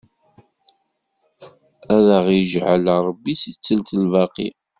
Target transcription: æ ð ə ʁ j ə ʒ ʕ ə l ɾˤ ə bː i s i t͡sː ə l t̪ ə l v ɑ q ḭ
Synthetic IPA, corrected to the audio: æ ð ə ʁ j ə ʒ ʕ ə l ɾˤ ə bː i s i t͡sː ə l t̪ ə l v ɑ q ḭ